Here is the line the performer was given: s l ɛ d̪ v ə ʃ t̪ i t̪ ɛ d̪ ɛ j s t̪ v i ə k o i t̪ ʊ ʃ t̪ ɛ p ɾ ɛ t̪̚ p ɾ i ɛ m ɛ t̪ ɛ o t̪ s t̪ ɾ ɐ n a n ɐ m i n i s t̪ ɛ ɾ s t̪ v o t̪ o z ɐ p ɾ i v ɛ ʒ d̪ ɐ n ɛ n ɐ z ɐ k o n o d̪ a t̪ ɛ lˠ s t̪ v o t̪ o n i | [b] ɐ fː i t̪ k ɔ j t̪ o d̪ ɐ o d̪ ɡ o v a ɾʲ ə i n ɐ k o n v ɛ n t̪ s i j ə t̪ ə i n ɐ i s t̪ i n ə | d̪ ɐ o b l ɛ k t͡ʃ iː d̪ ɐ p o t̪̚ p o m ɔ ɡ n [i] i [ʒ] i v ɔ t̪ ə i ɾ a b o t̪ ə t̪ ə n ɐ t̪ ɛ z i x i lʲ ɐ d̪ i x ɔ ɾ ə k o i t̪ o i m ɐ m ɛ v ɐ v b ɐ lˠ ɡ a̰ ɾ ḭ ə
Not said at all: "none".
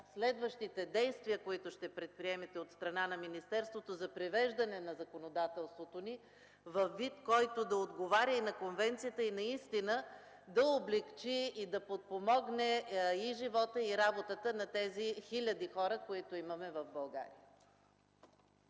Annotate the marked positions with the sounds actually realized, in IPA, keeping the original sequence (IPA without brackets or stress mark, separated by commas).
v, ɛ, ʒ